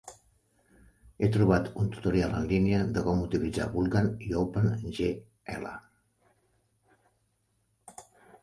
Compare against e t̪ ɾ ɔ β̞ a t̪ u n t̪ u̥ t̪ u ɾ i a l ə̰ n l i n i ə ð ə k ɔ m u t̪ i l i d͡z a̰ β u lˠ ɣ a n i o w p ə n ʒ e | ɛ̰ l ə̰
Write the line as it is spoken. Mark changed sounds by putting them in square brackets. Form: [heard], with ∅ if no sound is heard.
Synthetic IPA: e t̪ ɾ [u] β̞ a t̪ u n t̪ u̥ t̪ u ɾ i a l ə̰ n l i n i ə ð ə k ɔ m u t̪ i l i d͡z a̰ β u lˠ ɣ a n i o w p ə n ʒ e | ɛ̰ l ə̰